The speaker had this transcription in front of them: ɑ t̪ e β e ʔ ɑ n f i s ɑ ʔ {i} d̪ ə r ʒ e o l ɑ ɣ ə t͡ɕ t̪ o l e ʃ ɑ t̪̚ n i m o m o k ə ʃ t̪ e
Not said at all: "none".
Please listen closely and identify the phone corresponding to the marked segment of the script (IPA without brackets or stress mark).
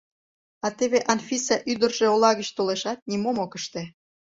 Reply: y